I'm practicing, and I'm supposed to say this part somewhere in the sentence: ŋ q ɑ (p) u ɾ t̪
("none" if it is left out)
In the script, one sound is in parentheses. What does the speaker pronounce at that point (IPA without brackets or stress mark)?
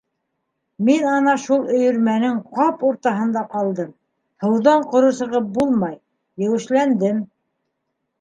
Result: p